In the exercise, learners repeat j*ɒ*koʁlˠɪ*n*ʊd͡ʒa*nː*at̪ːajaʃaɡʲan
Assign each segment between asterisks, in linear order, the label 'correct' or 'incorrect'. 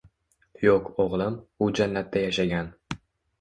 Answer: incorrect, incorrect, correct

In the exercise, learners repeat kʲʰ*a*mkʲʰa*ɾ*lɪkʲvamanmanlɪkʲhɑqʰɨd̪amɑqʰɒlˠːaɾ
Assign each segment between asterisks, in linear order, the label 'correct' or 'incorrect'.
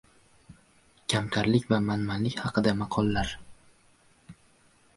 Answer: correct, correct

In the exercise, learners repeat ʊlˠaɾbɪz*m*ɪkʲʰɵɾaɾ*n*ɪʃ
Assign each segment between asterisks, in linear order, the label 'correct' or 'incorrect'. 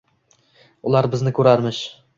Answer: incorrect, incorrect

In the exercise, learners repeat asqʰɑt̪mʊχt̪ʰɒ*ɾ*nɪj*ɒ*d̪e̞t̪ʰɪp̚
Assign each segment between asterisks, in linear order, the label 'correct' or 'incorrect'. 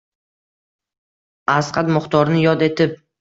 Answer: correct, correct

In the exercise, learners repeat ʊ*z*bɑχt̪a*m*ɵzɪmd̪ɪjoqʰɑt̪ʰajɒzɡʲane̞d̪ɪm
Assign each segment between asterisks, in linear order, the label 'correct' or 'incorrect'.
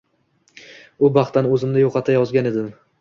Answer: incorrect, incorrect

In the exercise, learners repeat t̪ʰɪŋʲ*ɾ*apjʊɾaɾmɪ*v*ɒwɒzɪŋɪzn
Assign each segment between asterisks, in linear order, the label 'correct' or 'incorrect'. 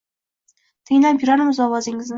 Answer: incorrect, incorrect

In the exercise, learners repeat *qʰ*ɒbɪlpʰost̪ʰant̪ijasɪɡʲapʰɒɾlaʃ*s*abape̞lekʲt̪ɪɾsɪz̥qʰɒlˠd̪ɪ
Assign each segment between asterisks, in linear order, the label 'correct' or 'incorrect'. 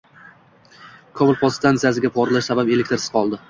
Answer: incorrect, correct

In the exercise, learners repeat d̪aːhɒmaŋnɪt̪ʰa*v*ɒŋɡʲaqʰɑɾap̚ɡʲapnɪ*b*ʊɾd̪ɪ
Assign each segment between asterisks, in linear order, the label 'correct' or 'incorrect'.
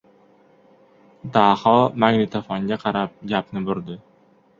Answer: incorrect, correct

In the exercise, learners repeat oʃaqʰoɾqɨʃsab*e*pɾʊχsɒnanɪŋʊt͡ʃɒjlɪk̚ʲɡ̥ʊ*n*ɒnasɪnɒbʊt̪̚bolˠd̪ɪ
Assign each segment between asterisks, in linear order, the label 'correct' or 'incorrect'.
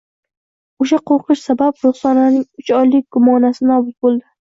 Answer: incorrect, incorrect

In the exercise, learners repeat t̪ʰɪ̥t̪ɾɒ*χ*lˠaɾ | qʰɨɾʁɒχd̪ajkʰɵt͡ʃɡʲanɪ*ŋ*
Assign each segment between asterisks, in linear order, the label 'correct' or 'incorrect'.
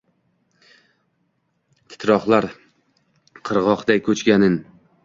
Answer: correct, incorrect

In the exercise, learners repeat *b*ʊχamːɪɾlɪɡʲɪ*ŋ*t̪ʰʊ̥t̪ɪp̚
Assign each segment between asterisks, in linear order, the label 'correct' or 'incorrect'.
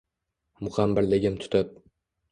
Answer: incorrect, incorrect

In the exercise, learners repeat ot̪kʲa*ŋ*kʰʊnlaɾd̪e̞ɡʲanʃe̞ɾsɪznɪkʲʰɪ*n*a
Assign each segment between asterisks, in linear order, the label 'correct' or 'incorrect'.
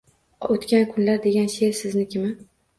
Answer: incorrect, incorrect

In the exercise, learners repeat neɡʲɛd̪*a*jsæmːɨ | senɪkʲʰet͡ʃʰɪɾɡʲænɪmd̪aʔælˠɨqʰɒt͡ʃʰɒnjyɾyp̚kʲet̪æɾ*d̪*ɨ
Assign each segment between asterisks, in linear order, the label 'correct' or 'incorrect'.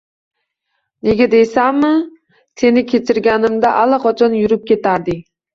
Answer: incorrect, correct

